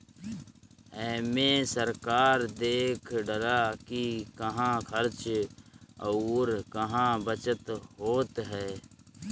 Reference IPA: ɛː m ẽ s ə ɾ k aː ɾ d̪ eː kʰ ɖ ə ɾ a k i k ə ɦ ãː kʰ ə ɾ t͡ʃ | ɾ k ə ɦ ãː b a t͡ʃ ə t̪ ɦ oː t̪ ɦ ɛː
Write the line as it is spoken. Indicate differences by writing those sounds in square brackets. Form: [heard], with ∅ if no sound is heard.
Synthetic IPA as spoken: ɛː m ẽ s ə ɾ k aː ɾ d̪ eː kʰ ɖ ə ɾ a k i k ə ɦ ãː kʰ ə ɾ t͡ʃ | ɾ k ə ɦ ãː b [ə] t͡ʃ ə t̪ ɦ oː t̪ ɦ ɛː